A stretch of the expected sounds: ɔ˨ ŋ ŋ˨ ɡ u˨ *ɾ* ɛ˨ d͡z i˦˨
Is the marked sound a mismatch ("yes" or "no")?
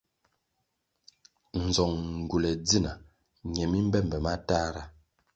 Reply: yes